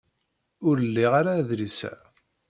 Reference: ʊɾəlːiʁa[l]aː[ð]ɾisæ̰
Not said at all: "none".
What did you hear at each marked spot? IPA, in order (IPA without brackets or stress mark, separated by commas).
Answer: ɾ, ð